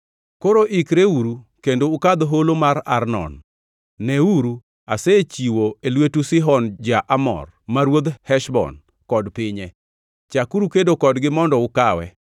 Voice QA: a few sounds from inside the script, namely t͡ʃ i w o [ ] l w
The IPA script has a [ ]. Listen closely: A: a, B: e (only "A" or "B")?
B